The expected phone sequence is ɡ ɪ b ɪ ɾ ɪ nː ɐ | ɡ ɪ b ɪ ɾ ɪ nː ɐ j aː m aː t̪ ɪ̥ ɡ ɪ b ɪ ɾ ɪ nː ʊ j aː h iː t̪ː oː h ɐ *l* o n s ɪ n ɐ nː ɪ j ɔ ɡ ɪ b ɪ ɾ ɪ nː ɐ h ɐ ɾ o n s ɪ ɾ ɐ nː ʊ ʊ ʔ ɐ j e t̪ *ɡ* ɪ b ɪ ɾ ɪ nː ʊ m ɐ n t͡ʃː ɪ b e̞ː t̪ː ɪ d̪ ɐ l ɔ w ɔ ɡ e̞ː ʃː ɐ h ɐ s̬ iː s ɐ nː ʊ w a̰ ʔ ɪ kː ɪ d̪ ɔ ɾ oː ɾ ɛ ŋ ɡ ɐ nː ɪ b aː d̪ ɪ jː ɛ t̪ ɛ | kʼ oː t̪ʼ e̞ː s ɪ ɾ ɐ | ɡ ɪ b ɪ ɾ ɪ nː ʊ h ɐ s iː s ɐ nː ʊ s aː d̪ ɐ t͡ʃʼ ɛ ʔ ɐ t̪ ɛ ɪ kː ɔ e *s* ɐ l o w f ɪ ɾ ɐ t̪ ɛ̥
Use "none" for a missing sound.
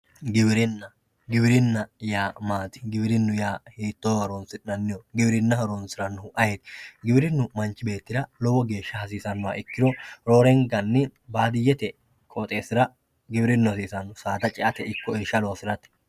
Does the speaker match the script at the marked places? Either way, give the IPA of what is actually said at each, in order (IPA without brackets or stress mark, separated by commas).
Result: ɾ, ɡ, ʃ